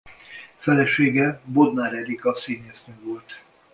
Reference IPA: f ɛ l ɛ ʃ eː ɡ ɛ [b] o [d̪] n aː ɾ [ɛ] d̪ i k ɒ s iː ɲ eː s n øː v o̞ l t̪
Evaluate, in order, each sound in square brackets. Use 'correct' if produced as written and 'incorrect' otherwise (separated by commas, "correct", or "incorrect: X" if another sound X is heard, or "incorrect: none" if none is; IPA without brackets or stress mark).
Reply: correct, correct, correct